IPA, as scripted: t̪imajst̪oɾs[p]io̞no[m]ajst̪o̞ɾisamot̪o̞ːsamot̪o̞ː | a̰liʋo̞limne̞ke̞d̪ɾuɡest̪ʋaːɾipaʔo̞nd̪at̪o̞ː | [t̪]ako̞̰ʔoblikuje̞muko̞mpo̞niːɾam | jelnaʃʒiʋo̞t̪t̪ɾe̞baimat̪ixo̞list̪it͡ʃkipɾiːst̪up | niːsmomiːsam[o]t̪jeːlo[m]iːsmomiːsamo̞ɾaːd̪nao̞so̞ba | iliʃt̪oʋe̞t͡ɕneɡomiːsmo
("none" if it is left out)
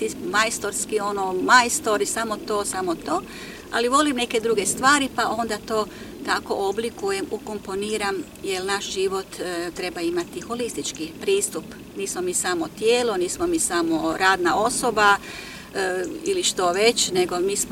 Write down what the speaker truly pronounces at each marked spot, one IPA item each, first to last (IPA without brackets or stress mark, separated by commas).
k, m, t̪, o, n